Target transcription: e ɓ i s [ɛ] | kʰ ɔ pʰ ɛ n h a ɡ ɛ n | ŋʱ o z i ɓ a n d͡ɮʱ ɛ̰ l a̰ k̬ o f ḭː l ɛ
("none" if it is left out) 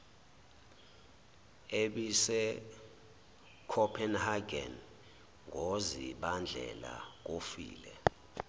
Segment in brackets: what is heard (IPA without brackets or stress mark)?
ɛ